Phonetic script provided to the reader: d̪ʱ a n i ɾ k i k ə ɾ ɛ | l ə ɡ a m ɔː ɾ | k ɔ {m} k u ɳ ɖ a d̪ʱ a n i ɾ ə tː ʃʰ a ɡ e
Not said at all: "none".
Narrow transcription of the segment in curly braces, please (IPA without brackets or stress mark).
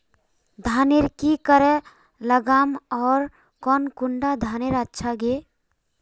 n